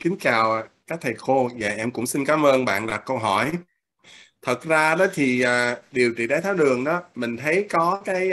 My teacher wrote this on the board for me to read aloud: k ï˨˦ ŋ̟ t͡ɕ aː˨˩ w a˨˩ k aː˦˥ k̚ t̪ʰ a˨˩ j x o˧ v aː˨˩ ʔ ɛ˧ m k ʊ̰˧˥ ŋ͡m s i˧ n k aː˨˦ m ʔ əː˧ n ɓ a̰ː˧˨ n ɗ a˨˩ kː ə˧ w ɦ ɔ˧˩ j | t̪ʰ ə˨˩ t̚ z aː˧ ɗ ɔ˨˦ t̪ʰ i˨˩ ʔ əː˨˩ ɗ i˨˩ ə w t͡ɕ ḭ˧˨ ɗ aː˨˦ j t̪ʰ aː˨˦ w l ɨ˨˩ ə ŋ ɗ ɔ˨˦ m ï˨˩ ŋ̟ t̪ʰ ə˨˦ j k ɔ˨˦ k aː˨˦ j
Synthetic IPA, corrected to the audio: k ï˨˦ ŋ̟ t͡ɕ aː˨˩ w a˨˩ k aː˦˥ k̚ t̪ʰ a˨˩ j x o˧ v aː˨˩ ʔ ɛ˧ m k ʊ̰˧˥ ŋ͡m s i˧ n k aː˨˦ m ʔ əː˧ n ɓ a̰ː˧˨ n ɗ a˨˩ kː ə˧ w ɦ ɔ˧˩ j | t̪ʰ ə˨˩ t̚ z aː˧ ɗ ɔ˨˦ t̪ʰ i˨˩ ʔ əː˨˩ ɗ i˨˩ ə w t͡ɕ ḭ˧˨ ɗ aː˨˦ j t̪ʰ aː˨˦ w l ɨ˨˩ ə ŋ ɗ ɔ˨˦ m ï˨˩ ŋ̟ t̪ʰ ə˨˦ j k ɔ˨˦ k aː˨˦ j